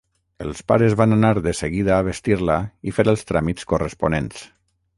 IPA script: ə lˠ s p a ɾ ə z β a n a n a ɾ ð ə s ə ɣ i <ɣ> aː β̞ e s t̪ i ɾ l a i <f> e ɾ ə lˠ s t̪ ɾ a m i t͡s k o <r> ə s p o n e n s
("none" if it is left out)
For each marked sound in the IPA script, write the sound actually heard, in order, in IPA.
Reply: ð, f, r

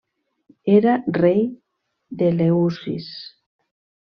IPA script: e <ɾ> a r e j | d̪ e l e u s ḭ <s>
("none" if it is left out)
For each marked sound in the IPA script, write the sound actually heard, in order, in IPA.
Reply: ɾ, s

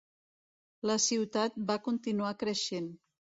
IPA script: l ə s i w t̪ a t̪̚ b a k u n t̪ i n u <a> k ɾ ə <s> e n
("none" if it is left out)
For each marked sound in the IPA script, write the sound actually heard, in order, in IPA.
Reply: a, ʃ

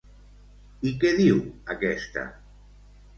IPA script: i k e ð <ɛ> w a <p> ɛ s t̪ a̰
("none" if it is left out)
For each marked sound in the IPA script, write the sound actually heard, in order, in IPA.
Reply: i, k

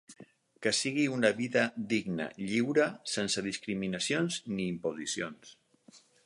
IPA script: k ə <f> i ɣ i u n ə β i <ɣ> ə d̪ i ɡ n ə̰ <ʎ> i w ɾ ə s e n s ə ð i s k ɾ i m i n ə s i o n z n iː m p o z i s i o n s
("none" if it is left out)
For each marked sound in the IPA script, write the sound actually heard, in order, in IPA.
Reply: s, ð, ʎ

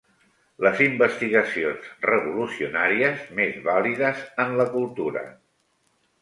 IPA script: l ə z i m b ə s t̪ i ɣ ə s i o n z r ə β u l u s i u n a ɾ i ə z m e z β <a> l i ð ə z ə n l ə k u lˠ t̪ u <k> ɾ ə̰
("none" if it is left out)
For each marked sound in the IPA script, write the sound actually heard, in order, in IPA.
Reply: a, none

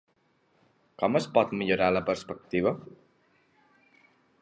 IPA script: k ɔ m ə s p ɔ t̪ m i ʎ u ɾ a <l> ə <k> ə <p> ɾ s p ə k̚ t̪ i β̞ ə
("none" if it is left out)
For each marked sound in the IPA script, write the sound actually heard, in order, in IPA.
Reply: l, p, none

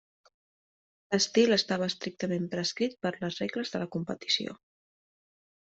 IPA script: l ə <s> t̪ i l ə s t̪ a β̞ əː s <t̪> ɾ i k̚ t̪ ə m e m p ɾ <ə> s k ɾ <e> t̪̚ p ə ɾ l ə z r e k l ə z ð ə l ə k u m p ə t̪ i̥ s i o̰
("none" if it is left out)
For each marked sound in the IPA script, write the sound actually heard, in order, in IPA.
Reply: s, t̪, ə, i

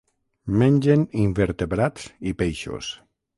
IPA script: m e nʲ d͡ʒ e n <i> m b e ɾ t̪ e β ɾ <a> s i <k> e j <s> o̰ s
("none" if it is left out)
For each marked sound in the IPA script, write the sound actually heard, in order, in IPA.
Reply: i, a, p, ʃ

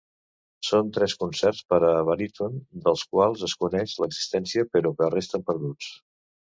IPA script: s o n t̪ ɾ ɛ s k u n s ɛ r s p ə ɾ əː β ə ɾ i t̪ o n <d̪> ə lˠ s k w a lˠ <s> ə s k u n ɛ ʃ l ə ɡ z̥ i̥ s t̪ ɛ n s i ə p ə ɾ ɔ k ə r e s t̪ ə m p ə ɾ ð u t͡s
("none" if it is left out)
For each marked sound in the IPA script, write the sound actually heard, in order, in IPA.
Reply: d̪, z

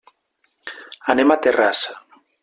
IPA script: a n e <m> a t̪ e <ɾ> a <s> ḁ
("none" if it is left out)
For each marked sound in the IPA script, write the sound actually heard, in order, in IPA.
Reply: m, r, s

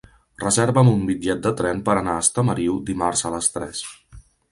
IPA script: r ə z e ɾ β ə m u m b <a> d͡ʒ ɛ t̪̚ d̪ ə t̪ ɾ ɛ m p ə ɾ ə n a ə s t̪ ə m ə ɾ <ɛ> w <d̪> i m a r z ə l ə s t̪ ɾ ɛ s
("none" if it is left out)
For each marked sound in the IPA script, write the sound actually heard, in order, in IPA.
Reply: i, i, d̪

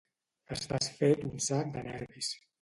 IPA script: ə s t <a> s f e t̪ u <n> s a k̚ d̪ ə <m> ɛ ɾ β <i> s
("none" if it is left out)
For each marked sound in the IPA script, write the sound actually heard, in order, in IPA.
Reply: a, n, n, i

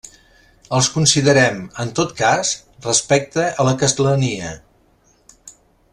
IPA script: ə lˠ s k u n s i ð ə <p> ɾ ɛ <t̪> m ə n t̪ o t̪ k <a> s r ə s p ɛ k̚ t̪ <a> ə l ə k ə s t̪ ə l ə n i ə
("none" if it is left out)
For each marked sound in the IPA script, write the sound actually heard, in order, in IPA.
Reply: none, none, a, ə

